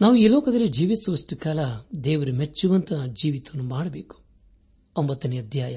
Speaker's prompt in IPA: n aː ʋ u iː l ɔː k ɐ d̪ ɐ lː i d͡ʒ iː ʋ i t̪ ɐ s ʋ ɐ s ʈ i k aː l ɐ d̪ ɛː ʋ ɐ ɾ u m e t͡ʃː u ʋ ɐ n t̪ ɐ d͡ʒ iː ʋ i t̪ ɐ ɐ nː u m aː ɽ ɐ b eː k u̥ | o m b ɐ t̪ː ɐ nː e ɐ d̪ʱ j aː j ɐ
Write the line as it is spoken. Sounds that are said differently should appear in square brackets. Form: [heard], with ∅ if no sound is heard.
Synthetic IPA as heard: n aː ʋ u iː l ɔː k ɐ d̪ ɐ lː i d͡ʒ iː ʋ i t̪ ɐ s ʋ ɐ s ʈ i k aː l ɐ d̪ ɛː ʋ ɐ ɾ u m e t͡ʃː u ʋ ɐ n t̪ ɐ d͡ʒ iː ʋ i t̪ ɐ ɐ nː u m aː ɽ ɐ b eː k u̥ | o m b ɐ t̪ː ɐ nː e ɐ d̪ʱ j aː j ɐ